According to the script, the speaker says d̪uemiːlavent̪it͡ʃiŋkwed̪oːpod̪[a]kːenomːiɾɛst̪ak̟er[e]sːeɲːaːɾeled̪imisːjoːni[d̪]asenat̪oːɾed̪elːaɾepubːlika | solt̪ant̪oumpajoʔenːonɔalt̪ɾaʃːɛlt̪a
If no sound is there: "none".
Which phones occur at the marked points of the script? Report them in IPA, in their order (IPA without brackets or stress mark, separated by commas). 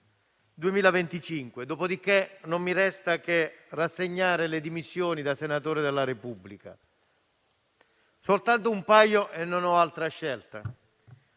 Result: i, a, d̪